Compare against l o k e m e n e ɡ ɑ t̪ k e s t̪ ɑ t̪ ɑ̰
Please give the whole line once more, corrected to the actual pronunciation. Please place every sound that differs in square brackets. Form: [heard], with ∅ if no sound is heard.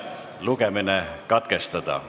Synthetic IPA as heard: l [u] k e m [i] n e [k] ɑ t̪ k e s t̪ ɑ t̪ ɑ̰